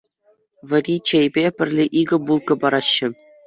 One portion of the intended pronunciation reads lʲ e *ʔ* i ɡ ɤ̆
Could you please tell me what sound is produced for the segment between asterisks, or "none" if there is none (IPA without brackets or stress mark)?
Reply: ʔ